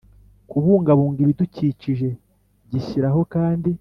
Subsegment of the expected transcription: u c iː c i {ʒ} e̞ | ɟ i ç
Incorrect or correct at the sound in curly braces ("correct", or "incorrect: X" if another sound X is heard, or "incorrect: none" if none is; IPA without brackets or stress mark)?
correct